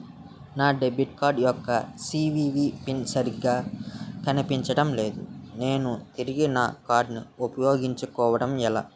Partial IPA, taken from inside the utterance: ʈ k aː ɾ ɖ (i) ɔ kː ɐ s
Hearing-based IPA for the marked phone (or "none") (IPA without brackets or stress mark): j